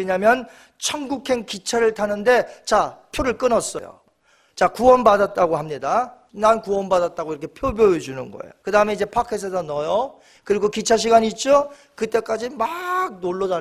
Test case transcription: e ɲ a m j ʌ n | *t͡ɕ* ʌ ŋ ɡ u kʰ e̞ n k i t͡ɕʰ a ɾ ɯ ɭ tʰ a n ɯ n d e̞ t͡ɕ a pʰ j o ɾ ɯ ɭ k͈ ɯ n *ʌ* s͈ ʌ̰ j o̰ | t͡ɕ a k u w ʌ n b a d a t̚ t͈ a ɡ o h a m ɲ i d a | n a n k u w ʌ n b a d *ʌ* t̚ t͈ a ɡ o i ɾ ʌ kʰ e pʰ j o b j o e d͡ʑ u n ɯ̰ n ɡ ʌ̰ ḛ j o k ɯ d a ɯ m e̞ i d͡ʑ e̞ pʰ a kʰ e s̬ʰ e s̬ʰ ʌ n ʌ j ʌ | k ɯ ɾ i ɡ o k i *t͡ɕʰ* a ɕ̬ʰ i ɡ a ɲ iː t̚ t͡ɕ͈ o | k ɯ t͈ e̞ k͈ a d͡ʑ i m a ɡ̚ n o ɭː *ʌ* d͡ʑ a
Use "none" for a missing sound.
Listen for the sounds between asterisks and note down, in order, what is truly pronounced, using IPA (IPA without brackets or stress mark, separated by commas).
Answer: t͡ɕʰ, ʌ, a, t͡ɕʰ, ʌ